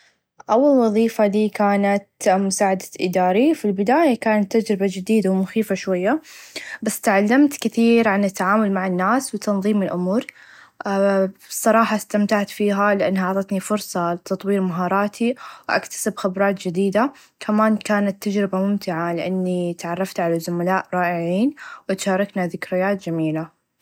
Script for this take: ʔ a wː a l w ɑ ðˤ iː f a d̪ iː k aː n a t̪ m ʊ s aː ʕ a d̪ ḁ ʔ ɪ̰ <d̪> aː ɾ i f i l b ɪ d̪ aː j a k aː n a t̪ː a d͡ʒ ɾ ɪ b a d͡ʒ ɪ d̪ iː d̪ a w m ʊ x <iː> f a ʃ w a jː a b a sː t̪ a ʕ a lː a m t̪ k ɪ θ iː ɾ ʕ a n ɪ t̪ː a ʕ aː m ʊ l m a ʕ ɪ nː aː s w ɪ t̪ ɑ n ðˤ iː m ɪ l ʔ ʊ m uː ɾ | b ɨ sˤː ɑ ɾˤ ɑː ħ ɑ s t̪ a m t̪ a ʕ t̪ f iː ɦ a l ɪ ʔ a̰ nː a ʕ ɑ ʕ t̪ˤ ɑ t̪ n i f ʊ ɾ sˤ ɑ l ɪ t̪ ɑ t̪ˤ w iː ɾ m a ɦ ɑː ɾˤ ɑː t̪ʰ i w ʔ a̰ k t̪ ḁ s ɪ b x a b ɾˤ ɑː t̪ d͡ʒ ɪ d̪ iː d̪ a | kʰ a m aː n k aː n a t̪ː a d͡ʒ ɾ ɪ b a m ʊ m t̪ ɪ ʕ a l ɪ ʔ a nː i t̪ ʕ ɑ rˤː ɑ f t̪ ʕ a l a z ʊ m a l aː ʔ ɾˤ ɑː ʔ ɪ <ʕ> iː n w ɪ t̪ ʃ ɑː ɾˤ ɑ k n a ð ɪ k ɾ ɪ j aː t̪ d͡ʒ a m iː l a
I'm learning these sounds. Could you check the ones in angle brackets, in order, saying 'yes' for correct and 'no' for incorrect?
yes, yes, yes

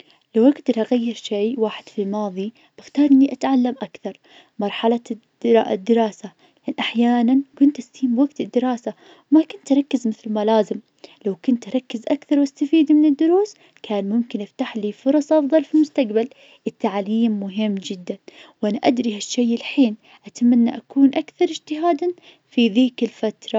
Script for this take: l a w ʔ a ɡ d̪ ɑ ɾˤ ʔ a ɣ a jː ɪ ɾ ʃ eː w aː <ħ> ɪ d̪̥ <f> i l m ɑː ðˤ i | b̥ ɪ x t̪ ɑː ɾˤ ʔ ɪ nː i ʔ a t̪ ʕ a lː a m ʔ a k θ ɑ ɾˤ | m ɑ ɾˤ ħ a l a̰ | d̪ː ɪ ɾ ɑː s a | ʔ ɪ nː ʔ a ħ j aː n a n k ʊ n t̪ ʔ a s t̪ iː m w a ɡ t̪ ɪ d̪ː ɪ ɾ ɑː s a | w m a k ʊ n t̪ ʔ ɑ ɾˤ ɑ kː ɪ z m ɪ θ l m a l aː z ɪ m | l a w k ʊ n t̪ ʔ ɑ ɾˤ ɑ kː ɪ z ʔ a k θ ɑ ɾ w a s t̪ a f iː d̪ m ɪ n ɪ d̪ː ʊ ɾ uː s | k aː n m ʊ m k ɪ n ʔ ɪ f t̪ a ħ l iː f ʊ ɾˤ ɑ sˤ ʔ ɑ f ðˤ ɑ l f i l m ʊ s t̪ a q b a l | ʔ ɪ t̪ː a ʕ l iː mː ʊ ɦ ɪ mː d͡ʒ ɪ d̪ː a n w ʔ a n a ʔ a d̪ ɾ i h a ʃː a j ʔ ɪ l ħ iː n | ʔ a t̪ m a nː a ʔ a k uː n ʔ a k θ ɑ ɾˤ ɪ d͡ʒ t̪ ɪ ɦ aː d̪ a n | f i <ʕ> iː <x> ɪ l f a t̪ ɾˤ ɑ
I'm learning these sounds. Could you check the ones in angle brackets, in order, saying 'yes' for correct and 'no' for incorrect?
yes, yes, no, no

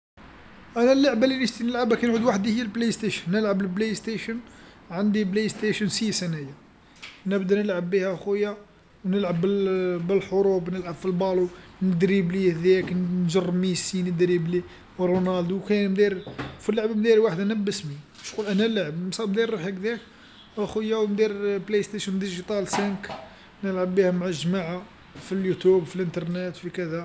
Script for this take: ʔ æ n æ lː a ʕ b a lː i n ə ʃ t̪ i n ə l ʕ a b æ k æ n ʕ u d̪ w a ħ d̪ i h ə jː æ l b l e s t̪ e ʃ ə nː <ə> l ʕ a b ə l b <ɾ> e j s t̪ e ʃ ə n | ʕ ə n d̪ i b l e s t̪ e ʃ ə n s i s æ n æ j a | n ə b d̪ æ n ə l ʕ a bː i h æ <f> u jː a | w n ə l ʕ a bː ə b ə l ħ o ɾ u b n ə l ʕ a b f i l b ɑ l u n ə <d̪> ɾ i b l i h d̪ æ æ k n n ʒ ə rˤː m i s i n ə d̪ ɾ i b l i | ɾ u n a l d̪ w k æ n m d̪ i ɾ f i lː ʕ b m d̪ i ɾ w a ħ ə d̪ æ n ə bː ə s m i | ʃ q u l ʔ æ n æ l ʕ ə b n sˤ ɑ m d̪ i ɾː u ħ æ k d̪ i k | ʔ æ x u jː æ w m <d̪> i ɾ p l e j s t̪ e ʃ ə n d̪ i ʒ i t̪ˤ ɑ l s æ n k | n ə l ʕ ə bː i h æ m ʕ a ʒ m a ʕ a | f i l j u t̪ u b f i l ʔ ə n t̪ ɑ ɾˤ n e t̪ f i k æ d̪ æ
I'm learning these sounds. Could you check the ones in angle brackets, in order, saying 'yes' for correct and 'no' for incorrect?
yes, no, no, yes, yes

